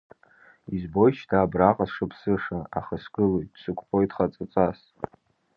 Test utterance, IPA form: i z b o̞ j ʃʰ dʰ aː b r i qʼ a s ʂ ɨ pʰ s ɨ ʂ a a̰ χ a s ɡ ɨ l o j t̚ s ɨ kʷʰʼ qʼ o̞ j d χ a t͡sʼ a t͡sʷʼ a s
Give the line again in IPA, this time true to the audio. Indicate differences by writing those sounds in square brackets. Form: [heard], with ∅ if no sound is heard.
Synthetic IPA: i z b o̞ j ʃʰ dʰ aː b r [a] qʼ a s ʂ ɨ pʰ s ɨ ʂ a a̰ χ a s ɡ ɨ l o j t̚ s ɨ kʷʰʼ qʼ o̞ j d χ a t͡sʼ a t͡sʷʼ a s